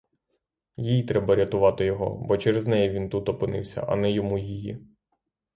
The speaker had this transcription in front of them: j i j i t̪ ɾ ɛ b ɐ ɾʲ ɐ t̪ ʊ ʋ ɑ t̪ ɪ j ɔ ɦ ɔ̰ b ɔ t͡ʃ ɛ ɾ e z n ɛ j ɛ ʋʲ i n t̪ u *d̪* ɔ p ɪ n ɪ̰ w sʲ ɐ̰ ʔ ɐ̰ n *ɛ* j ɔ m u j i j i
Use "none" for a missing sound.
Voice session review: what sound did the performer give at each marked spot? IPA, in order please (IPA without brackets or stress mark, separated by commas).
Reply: t̪, ɛ